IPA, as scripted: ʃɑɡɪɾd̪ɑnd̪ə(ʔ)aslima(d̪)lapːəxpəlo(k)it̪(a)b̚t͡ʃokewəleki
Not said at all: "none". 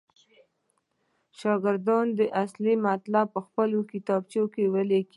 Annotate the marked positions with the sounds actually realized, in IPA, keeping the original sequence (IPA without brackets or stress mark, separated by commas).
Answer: ʔ, t̪, k, ɑ